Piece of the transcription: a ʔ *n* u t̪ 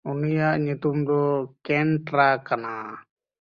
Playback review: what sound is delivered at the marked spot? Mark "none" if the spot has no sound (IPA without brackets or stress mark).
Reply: ɲ